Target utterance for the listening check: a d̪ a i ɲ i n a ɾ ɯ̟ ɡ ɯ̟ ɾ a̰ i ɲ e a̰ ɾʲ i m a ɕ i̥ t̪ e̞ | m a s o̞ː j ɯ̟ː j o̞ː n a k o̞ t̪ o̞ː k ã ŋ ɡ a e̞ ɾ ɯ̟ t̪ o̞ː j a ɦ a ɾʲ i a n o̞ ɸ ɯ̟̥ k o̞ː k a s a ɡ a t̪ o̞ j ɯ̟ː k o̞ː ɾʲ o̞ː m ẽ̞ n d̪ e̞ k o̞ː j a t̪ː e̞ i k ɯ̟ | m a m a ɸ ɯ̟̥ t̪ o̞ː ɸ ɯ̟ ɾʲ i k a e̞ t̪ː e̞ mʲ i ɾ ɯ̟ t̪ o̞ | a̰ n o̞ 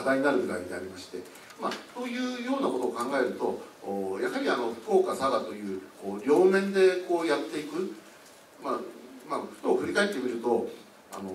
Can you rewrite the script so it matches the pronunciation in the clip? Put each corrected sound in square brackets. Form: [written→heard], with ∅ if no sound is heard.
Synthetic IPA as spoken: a d̪ a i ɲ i n a ɾ ɯ̟ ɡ ɯ̟ ɾ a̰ i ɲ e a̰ ɾʲ i m a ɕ i̥ t̪ e̞ | m a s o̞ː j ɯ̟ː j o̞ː n a k o̞ t̪ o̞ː k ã ŋ ɡ a e̞ ɾ ɯ̟ t̪ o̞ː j a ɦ a ɾʲ i a n o̞ ɸ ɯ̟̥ k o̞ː k a s a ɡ a t̪ o̞ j ɯ̟ː k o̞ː ɾʲ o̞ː m ẽ̞ n d̪ e̞ k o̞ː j a t̪ː e̞ i k ɯ̟ | m a m a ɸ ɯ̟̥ t̪ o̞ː ɸ ɯ̟ ɾʲ i k a e̞ t̪ː e̞ mʲ i ɾ ɯ̟ t̪ o̞ | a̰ n o̞